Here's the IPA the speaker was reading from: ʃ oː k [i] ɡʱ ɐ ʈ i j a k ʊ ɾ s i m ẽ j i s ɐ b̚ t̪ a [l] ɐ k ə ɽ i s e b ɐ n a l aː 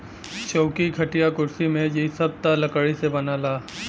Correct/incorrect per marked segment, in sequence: correct, correct

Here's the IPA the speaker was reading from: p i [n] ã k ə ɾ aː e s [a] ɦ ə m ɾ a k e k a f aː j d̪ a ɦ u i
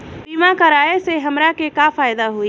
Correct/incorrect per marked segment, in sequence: incorrect: m, incorrect: e

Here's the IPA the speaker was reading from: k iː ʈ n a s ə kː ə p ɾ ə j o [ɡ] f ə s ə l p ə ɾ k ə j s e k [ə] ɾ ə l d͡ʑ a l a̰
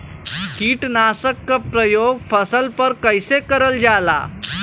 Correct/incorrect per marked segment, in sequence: correct, correct

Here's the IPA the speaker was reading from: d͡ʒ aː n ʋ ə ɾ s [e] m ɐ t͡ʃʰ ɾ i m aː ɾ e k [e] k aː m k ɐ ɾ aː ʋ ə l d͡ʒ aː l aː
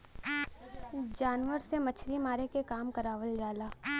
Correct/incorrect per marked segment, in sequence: correct, correct

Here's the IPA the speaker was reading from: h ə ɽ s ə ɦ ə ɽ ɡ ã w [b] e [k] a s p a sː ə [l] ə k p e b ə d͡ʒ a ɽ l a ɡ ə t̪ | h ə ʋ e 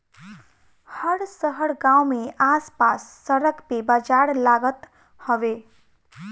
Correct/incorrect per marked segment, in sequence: incorrect: m, incorrect: none, incorrect: ɾ

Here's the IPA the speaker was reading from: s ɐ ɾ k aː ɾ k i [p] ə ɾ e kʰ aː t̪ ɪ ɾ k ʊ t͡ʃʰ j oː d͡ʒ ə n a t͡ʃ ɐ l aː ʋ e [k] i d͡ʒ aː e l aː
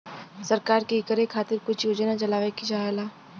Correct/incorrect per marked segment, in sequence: incorrect: k, correct

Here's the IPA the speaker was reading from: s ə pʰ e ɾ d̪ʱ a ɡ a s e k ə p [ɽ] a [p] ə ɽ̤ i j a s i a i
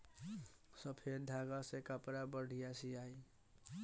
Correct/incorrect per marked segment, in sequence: incorrect: ɾ, incorrect: b

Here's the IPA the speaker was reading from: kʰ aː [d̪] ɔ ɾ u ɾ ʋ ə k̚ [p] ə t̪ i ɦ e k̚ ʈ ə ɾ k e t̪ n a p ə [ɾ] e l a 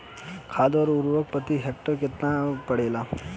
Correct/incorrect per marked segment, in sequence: correct, correct, incorrect: ɽ

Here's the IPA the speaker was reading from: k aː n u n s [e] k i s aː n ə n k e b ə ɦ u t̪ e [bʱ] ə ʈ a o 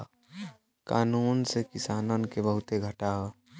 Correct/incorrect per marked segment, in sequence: correct, incorrect: ɡʱ

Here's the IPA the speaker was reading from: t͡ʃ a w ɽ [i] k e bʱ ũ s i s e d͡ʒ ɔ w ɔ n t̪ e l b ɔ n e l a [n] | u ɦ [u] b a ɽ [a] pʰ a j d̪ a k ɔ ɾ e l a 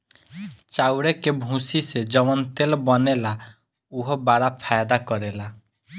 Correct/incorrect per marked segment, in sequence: incorrect: e, incorrect: none, incorrect: ɔ, correct

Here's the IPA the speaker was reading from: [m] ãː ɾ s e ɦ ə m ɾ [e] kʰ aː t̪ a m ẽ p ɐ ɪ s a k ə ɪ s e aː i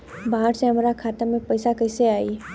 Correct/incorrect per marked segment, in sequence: incorrect: b, incorrect: a

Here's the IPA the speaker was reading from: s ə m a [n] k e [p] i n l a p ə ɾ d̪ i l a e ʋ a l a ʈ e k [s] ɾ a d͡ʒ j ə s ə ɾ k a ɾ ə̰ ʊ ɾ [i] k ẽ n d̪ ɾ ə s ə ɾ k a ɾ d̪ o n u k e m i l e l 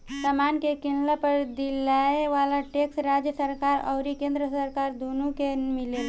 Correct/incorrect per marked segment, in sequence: correct, incorrect: k, correct, correct

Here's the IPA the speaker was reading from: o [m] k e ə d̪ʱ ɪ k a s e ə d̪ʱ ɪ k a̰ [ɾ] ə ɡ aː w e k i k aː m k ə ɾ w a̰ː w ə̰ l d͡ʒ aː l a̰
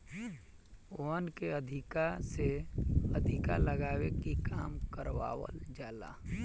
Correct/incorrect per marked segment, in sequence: incorrect: n, incorrect: l

